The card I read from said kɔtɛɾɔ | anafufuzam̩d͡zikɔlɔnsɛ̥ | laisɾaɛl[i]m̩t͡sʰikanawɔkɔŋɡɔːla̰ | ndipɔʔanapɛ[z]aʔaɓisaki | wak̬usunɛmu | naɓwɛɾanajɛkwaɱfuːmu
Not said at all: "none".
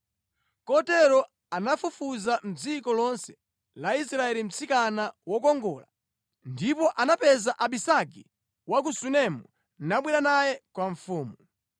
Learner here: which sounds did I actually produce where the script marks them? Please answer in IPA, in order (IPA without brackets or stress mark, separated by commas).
i, z